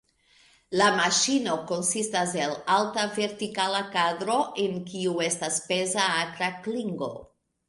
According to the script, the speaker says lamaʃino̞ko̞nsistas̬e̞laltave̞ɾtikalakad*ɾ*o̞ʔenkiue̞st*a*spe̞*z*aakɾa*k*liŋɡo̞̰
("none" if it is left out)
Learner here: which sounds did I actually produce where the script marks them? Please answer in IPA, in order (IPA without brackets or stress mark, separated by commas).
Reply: ɾ, a, z, k